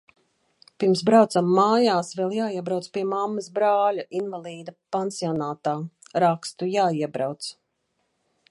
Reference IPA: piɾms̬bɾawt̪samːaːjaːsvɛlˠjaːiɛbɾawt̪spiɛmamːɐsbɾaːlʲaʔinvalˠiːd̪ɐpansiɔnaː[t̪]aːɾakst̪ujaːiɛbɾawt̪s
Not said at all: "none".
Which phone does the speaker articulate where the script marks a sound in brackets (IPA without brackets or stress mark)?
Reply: t̪